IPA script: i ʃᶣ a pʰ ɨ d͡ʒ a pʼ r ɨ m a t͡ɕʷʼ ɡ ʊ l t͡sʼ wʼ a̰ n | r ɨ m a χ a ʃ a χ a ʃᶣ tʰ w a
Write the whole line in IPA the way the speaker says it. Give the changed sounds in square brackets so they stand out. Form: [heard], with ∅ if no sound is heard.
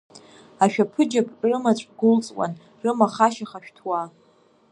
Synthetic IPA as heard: [a] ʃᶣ a pʰ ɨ d͡ʒ a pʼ r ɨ m a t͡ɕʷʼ ɡ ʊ l t͡sʼ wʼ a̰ n | r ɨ m a χ a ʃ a χ a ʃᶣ tʰ w a